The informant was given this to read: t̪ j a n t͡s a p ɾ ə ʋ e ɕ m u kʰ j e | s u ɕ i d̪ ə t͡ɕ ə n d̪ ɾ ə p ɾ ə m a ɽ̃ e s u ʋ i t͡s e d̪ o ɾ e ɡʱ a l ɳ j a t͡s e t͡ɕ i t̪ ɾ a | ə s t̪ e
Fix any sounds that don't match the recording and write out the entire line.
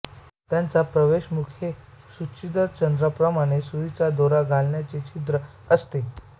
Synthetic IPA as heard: t̪ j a n t͡s a p ɾ ə ʋ e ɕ m u kʰ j e | s u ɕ i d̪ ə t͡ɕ ə n d̪ ɾ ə p ɾ ə m a ɽ̃ e s u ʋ i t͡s a d̪ o ɾ a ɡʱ a l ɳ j a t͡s e t͡ɕ i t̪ ɾ ə | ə s t̪ e